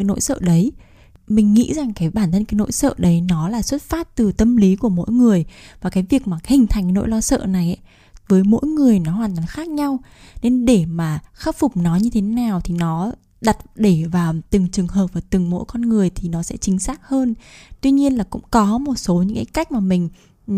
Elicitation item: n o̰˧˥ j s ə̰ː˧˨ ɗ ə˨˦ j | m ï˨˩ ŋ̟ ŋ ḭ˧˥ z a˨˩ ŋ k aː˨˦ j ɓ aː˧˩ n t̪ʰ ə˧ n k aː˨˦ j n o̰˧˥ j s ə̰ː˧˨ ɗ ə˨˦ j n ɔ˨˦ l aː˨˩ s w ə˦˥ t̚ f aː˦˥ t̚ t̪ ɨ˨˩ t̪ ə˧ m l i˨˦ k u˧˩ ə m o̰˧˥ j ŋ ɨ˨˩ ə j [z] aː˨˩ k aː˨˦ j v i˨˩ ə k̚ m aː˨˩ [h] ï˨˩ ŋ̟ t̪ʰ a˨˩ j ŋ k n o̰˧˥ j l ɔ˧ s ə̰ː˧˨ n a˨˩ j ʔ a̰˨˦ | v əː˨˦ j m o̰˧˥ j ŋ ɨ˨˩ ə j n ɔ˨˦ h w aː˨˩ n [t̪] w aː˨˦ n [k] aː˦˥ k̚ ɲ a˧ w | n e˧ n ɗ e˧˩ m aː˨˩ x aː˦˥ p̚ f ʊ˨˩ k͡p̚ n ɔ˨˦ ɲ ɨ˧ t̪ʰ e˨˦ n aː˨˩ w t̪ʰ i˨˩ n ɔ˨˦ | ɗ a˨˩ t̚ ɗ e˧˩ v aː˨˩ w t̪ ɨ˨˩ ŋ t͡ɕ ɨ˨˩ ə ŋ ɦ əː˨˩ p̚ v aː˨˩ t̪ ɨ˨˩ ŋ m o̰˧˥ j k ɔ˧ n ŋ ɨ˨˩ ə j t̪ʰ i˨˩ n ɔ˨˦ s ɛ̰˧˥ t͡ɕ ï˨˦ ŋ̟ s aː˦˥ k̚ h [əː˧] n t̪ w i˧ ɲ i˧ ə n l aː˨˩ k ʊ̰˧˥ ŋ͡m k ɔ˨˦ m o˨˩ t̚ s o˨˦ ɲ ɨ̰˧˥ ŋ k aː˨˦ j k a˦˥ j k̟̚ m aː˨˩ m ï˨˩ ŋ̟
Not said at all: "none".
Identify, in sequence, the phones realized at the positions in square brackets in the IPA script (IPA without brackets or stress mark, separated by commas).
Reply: v, h, t̪, x, əː˧